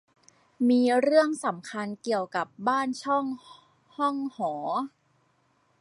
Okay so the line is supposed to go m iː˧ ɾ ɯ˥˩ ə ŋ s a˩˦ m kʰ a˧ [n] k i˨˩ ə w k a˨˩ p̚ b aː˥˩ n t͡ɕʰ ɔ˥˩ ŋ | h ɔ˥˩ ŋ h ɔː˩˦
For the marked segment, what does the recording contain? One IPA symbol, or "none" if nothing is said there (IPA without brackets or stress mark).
n